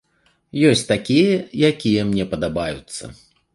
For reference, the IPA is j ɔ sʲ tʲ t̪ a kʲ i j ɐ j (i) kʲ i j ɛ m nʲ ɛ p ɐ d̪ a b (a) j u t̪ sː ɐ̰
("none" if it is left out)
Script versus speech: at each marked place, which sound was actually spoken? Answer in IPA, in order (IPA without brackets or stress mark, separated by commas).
a, a